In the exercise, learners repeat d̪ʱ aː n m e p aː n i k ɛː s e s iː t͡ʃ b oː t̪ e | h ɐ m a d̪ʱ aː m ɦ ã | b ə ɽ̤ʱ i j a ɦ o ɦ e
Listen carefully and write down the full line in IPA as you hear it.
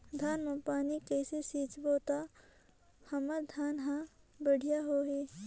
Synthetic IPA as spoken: d̪ʱ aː n m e p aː n i k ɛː s e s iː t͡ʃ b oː t̪ a | h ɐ m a d̪ʱ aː n ɦ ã | b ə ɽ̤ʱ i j a ɦ o ɦ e

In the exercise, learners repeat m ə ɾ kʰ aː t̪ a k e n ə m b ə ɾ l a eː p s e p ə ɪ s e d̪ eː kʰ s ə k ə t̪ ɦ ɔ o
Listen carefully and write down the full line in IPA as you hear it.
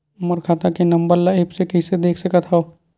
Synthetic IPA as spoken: m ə ɾ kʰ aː t̪ a k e n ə m b ə ɾ l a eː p s e k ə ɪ s e d̪ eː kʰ s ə k ə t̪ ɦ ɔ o

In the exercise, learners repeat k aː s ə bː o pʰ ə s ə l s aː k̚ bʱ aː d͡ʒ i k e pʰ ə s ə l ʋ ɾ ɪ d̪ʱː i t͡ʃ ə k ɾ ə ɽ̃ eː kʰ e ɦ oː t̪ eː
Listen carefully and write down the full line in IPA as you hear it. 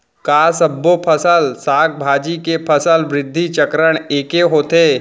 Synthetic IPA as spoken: k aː s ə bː o pʰ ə s ə l s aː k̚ bʱ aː d͡ʒ i k e pʰ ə s ə l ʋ ɾ ɪ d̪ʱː i t͡ʃ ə k ɾ ə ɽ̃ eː k e ɦ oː t̪ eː

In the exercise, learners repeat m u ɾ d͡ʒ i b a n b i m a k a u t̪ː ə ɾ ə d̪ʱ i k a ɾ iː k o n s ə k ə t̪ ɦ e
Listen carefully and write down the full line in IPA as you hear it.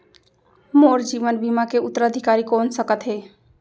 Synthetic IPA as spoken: m o ɾ d͡ʒ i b ə n b i m a k e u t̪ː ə ɾ ə d̪ʱ i k a ɾ i k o n s ə k ə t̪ ɦ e

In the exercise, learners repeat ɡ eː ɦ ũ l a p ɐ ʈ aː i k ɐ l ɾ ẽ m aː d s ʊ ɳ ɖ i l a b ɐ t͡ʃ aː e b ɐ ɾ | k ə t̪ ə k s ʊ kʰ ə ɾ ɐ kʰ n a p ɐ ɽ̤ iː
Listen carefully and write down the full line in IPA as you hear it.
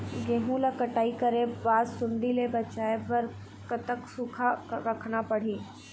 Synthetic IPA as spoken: ɡ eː ɦ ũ l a k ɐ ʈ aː i k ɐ ɾ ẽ b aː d s ʊ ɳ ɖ i l e b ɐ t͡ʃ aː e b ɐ ɾ | k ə t̪ ə k s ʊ kʰ a ɾ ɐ kʰ n a p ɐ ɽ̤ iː

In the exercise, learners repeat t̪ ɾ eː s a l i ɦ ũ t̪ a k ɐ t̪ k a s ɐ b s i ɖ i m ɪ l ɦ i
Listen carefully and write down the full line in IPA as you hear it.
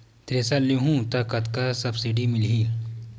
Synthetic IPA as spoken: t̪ ɾ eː s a l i ɦ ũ t̪ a k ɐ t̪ k a s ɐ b s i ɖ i m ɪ l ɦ i

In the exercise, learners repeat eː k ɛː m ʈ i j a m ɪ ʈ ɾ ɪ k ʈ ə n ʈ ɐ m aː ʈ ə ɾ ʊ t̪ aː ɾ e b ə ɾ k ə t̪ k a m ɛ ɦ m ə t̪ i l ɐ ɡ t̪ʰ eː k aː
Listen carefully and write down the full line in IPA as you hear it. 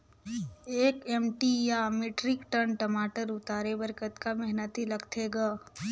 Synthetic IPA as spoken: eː k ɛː m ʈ i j a m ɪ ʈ ɾ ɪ k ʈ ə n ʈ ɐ m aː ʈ ə ɾ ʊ t̪ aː ɾ e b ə ɾ k ə t̪ k a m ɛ ɦ n ə t̪ i l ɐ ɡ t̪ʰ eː ɡ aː

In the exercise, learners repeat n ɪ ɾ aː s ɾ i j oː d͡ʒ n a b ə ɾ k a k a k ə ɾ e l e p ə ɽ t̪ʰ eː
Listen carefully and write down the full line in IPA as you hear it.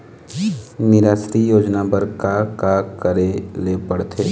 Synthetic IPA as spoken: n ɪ ɾ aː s ɾ i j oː d͡ʒ n a b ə ɾ k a k a k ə ɾ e l e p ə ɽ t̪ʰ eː

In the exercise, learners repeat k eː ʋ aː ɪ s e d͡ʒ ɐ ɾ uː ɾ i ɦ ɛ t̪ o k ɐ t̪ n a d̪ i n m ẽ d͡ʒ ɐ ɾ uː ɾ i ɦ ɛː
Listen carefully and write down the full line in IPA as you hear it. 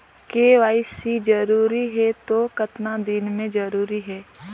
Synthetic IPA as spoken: k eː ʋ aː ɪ s i d͡ʒ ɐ ɾ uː ɾ i ɦ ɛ t̪ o k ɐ t̪ n a d̪ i n m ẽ d͡ʒ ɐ ɾ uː ɾ i ɦ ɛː

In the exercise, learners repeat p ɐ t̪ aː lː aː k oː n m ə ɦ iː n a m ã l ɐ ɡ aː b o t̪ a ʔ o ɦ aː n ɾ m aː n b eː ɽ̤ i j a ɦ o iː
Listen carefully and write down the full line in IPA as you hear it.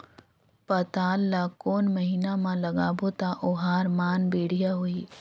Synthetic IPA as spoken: p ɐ t̪ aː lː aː k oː n m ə ɦ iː n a m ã l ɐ ɡ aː b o t̪ a ʔ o ɦ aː ɾ m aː n b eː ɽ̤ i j a ɦ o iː

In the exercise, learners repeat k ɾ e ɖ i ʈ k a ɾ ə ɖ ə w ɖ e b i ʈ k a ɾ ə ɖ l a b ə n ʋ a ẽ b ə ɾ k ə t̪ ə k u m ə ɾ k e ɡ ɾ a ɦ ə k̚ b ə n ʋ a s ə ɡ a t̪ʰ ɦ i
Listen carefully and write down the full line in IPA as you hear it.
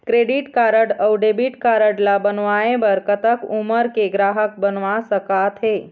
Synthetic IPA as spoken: k ɾ e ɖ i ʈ k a ɾ ə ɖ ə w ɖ e b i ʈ k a ɾ ə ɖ l a b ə n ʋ a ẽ b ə ɾ k ə t̪ ə k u m ə ɾ k e ɡ ɾ a ɦ ə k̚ b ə n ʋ a s ə k a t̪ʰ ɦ e

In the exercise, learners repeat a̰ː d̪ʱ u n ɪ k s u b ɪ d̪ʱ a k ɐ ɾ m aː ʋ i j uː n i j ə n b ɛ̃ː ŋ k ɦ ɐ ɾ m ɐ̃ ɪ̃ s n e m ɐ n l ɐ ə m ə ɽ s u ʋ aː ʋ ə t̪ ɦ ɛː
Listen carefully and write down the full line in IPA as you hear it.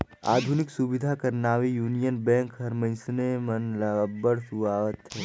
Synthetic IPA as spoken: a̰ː d̪ʱ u n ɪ k s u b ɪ d̪ʱ a k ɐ ɾ n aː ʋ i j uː n i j ə n b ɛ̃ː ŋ k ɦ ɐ ɾ m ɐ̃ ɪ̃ s n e m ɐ n l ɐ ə b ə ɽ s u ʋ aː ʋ ə t̪ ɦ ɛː

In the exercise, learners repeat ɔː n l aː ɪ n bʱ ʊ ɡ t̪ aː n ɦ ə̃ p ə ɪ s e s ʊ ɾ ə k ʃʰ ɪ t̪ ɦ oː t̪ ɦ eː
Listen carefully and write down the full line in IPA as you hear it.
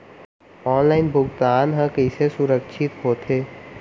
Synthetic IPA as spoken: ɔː n l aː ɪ n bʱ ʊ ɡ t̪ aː n ɦ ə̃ k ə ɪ s e s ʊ ɾ ə k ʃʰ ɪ t̪ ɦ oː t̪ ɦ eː

